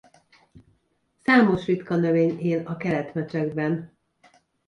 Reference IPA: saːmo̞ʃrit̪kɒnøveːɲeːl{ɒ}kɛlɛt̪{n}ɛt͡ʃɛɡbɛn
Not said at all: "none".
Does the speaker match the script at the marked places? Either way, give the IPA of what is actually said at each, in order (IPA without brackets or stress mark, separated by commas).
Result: ɒ, m